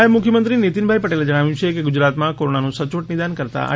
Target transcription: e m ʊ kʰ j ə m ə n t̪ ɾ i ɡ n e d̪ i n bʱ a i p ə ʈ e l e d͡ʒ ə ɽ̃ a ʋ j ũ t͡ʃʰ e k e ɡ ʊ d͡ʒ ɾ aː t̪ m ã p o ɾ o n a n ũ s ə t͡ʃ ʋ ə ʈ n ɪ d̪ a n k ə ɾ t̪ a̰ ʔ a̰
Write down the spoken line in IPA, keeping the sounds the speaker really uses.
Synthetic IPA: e m ʊ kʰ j ə m ə n t̪ ɾ i n e t̪ i n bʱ a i p ə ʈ e l e d͡ʒ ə ɽ̃ a ʋ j ũ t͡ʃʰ e k e ɡ ʊ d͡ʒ ɾ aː t̪ m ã k o ɾ o n a n ũ s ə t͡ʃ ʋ ə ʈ n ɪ d̪ a n k ə ɾ t̪ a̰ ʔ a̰